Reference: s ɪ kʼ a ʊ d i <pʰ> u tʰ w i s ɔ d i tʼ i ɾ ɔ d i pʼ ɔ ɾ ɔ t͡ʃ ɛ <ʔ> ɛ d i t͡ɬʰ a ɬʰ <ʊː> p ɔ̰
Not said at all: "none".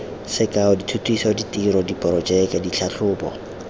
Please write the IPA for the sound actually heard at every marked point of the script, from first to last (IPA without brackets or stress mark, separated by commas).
tʰ, k, ʊː